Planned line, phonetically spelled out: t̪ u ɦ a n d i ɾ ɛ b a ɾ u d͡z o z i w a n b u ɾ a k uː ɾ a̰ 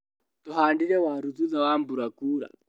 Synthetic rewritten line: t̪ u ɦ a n d i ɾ ɛ w a ɾ u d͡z u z a w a m b u ɾ a k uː ɾ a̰